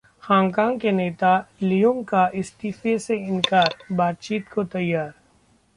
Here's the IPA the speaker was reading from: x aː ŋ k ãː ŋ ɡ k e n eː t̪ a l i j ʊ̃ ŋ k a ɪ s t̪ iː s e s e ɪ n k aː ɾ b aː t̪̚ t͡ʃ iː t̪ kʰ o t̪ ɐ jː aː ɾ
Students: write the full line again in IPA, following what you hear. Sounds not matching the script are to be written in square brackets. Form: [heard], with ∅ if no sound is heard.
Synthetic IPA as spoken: x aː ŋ k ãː ŋ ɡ k e n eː t̪ a l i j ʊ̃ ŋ k a ɪ s t̪ iː [f] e s e ɪ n k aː ɾ b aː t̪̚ t͡ʃ iː t̪ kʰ o t̪ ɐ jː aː ɾ